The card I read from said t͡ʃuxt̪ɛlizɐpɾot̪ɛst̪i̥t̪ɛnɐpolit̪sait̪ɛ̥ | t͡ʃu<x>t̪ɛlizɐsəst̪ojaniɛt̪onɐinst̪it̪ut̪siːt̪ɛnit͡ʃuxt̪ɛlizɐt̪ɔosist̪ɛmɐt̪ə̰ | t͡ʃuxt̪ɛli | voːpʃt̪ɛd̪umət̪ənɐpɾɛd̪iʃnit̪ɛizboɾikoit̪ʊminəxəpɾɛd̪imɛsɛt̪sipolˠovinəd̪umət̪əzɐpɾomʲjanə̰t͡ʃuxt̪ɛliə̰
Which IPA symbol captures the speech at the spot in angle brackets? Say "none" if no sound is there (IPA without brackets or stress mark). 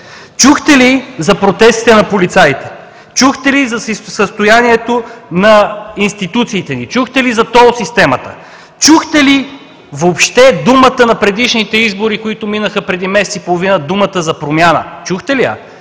x